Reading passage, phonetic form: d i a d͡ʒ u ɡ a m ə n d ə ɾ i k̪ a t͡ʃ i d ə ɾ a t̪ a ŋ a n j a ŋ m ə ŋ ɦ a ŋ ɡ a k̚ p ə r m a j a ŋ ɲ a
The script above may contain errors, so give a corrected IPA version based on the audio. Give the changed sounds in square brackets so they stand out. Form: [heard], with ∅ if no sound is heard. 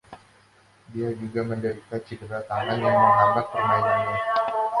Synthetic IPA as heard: d i a d͡ʒ u ɡ a m ə n d ə ɾ i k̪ a t͡ʃ i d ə ɾ a t̪ a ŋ a n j a ŋ m ə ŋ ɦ a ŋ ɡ a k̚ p ə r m a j a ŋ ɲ a